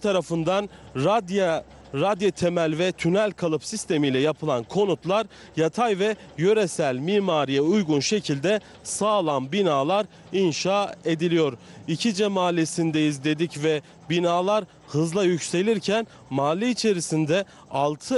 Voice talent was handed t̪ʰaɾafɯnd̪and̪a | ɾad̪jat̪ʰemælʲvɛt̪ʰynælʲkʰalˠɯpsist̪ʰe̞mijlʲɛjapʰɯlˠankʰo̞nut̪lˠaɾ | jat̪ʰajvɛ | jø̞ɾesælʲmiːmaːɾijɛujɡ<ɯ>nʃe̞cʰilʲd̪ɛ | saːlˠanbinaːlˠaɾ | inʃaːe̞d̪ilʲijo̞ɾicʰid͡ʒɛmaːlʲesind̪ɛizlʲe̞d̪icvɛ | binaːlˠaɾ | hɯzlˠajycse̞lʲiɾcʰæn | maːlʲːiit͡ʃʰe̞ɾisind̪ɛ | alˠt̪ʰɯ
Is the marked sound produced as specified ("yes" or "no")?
no